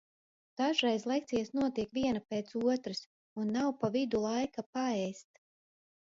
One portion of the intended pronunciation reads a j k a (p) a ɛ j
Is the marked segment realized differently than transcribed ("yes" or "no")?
no